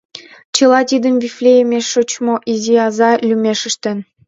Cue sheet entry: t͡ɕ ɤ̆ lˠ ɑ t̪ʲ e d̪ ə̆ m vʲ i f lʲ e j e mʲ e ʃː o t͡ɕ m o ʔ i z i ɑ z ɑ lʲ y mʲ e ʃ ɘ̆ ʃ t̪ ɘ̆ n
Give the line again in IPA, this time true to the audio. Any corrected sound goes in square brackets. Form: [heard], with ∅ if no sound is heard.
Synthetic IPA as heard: t͡ɕ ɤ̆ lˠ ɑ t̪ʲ [i] d̪ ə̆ m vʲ i f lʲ e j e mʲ e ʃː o t͡ɕ m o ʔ i z i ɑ z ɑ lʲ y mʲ e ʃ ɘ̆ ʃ t̪ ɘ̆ n